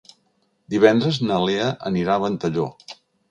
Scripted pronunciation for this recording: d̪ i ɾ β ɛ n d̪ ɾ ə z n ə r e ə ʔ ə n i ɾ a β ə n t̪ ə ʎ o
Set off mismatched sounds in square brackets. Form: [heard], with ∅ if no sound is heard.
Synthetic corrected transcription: d̪ i [∅] β ɛ n d̪ ɾ ə z n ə [l] e ə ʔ ə n i ɾ a β ə n t̪ ə ʎ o

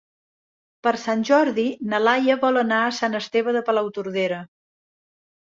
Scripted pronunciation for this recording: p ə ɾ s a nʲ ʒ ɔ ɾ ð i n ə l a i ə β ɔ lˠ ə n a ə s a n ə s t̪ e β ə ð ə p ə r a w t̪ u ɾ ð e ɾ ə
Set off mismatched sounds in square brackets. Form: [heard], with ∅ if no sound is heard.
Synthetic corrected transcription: p ə ɾ s a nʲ ʒ ɔ ɾ ð i n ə l a [j] ə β ɔ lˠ ə n a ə s a n ə s t̪ e β ə ð ə p ə [l] a w t̪ u ɾ ð e ɾ ə

